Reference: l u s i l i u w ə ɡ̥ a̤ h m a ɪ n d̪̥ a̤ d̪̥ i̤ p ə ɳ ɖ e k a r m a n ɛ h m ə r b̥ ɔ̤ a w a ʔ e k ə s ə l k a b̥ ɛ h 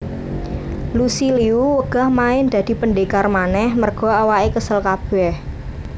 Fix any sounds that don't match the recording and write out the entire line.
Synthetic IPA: l u s i l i u w ə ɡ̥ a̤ h m a ɪ n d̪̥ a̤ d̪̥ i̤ p ə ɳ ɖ e k a r m a n ɛ h m ə r ɡ̥ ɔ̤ a w a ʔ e k ə s ə l k a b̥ ɛ h